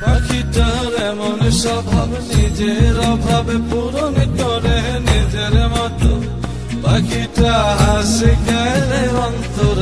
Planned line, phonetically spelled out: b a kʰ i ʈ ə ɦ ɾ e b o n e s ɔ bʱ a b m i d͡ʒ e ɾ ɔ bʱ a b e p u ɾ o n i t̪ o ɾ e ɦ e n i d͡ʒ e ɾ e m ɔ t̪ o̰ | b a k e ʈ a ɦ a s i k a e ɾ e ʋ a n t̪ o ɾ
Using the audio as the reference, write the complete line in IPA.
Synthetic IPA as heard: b a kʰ i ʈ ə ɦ ɾ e m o n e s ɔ bʱ a b n i d͡ʒ e ɾ ɔ bʱ a b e p u ɾ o n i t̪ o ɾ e ɦ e n i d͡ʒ e ɾ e m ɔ t̪ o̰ | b a k i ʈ a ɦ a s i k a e l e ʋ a n t̪ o ɾ